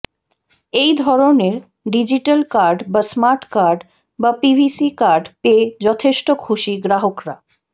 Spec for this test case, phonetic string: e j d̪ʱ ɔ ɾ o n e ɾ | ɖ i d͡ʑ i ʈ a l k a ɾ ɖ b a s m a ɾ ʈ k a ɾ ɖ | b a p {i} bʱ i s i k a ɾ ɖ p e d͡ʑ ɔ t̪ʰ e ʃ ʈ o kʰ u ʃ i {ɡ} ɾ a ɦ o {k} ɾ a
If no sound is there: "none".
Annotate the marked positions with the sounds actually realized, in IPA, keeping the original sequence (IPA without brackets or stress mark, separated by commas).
i, ɡ, k